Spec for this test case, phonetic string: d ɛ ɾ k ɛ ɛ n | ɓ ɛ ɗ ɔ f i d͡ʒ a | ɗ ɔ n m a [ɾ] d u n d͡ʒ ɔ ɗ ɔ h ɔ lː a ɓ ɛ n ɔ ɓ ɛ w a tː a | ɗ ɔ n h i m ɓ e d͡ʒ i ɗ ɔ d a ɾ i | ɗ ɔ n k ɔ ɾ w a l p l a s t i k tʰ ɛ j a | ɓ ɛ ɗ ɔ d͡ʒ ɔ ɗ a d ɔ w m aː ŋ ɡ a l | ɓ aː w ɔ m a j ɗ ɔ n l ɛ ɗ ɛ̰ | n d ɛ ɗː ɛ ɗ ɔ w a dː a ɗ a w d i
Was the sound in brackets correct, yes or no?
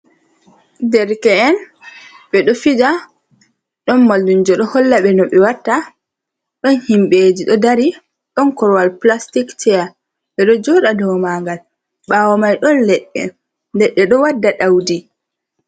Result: no